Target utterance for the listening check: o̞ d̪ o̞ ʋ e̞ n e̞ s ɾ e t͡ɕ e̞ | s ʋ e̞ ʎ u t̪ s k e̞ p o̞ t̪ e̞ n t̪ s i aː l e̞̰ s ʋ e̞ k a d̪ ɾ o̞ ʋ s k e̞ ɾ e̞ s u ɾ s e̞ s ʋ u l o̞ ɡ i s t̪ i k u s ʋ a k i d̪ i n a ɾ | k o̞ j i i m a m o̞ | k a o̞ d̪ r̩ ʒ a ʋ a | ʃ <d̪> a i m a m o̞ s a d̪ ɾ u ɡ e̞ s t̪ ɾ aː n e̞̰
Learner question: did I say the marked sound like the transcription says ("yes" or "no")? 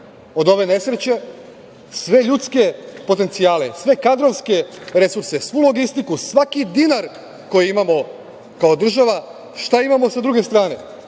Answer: no